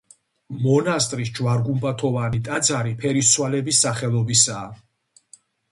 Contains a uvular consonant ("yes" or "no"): yes